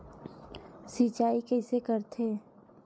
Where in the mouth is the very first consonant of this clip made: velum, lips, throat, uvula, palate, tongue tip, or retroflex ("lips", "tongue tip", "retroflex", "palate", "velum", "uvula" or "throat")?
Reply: tongue tip